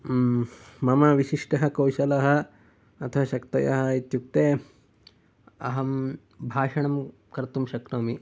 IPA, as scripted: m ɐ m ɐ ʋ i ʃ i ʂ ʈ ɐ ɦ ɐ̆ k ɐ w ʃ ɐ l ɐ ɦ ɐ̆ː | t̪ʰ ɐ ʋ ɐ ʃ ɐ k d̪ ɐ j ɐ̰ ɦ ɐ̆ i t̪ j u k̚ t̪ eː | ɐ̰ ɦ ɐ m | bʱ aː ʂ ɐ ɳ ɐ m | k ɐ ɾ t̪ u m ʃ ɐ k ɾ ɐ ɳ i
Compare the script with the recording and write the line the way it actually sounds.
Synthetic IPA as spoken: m ɐ m ɐ ʋ i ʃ i ʂ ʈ ɐ ɦ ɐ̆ k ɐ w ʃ ɐ l ɐ ɦ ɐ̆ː | t̪ʰ ɐ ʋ ɐ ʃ ɐ k t̪ ɐ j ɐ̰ ɦ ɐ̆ i t̪ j u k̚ t̪ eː | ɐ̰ ɦ ɐ m | bʱ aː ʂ ɐ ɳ ɐ m | k ɐ ɾ t̪ u m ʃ ɐ k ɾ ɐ m i

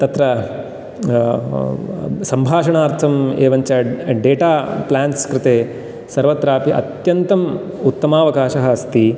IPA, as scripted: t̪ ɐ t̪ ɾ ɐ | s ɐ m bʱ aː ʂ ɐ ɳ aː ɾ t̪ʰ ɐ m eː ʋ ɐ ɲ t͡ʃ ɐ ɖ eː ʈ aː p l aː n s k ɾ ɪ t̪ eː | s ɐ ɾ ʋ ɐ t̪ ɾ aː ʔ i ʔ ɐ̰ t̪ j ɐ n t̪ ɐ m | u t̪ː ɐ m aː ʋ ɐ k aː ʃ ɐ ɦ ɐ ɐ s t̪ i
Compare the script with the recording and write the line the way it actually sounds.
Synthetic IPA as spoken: t̪ ɐ t̪ ɾ ɐ | s ɐ m bʱ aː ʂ ɐ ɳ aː ɾ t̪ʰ ɐ m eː ʋ ɐ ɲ t͡ʃ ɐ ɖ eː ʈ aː p l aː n s k ɾ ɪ t̪ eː | s ɐ ɾ ʋ ɐ t̪ ɾ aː p i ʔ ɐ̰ t̪ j ɐ n t̪ ɐ m | u t̪ː ɐ m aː ʋ ɐ k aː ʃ ɐ ɦ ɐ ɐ s t̪ i

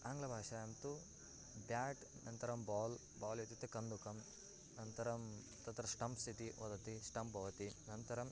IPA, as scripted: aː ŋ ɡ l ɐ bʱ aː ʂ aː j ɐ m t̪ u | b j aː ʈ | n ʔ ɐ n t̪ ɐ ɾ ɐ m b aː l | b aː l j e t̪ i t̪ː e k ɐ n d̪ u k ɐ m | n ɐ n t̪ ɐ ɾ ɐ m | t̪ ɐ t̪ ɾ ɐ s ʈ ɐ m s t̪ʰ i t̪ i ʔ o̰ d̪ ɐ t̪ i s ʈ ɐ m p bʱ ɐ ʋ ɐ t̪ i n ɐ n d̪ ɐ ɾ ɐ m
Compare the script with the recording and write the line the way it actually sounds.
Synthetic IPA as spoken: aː ŋ ɡ l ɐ bʱ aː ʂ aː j ɐ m t̪ u | b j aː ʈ | n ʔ ɐ n t̪ ɐ ɾ ɐ m b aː l | b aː l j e t̪ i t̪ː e k ɐ n d̪ u k ɐ m | n ɐ n t̪ ɐ ɾ ɐ m | t̪ ɐ t̪ ɾ ɐ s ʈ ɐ m s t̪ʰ i t̪ i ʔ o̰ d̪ ɐ t̪ i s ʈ ɐ m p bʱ ɐ ʋ ɐ t̪ i n ɐ n t̪ ɐ ɾ ɐ m

